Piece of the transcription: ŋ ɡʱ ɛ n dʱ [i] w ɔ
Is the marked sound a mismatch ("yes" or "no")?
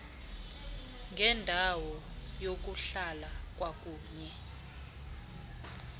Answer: yes